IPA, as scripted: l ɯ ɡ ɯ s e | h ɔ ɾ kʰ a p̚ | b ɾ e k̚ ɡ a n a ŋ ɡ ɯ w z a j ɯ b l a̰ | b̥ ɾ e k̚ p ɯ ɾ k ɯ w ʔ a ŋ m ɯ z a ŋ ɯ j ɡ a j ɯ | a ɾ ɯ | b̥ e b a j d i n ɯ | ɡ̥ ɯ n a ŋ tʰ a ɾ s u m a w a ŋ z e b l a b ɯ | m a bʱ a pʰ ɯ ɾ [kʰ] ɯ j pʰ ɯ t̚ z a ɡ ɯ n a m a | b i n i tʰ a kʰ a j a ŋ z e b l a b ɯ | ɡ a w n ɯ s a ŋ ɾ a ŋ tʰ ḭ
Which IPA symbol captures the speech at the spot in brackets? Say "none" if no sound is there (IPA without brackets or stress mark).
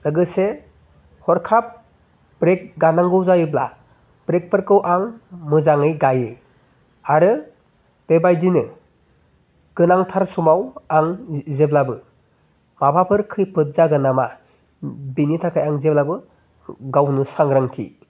kʰ